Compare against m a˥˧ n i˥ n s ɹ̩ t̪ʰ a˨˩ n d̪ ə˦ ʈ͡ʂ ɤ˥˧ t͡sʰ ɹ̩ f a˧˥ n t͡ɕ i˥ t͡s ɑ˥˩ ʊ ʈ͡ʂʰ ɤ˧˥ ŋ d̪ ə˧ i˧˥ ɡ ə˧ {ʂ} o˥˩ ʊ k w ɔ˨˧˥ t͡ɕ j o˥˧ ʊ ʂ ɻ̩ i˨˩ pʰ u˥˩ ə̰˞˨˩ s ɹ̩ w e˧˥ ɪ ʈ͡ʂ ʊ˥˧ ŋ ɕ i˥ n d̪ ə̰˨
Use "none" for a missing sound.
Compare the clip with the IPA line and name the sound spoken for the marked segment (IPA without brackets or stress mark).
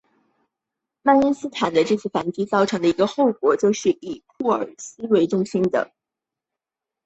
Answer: x